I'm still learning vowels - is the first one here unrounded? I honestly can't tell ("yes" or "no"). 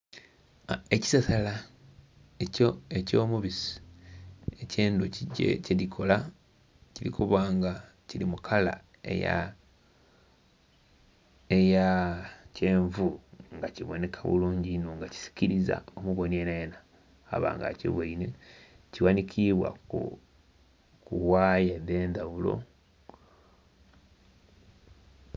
yes